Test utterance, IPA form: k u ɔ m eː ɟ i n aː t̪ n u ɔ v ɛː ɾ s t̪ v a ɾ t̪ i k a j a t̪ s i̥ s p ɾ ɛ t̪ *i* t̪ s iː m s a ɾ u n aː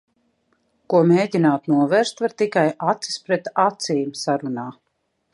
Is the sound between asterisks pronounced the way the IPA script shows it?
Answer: no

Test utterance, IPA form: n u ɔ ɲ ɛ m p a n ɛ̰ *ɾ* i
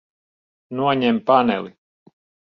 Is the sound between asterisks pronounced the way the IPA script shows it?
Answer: no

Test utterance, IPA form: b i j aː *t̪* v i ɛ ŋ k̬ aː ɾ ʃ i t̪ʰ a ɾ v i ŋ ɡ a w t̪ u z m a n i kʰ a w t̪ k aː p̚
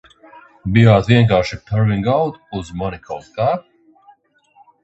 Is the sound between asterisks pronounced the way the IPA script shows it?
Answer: yes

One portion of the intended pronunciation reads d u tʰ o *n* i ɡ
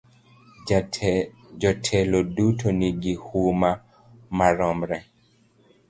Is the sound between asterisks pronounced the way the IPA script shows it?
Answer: yes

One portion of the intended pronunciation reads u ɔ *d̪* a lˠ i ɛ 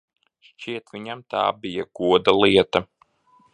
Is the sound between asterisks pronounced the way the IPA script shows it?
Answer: yes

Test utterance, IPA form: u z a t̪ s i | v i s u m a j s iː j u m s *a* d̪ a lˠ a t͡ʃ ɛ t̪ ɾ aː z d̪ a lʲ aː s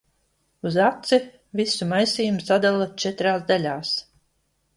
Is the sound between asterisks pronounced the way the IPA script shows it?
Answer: yes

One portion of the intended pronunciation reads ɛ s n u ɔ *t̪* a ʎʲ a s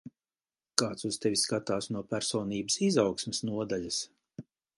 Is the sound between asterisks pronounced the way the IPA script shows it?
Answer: no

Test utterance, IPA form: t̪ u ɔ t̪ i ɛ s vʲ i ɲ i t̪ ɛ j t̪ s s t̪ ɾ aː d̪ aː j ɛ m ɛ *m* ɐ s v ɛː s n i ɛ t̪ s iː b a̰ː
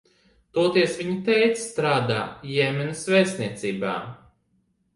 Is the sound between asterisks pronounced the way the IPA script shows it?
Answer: no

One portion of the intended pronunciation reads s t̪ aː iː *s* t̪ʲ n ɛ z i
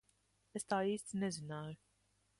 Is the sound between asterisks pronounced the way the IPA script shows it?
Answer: yes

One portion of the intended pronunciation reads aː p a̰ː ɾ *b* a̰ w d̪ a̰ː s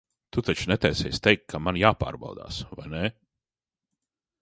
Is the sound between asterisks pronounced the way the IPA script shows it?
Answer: yes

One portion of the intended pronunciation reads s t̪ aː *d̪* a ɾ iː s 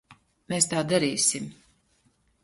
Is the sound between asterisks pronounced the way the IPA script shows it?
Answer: yes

